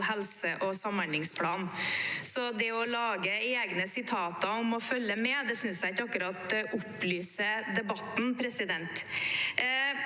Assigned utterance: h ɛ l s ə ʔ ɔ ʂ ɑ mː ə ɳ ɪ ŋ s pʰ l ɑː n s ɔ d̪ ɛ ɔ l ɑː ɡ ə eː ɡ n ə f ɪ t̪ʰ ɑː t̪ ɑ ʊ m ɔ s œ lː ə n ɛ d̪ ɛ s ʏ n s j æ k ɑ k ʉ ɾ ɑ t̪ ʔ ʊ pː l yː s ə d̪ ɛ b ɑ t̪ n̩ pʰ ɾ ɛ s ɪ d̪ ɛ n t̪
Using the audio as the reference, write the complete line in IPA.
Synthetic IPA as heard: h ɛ l s ə ʔ ɔ s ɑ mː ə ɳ ɪ ŋ s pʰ l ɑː n s ɔ d̪ ɛ ɔ l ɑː ɡ ə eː ɡ n ə s ɪ t̪ʰ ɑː t̪ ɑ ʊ m ɔ f œ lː ə m ɛ d̪ ɛ s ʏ n s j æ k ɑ k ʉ ɾ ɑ t̪ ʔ ʊ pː l yː s ə d̪ ɛ b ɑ t̪ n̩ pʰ ɾ ɛ s ɪ d̪ ɛ n t̪